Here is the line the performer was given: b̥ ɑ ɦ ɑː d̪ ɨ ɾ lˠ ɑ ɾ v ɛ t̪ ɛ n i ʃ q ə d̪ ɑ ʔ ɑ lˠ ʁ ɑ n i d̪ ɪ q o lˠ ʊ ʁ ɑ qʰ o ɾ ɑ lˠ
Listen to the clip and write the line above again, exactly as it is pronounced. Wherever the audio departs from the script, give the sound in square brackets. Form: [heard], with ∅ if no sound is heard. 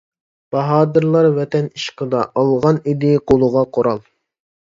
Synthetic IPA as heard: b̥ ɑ ɦ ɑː d̪ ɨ ɾ lˠ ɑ ɾ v ɛ t̪ ɛ n i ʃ q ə d̪ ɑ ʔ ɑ lˠ ʁ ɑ n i d̪ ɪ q o lˠ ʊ ʁ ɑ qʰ o ɾ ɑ lˠ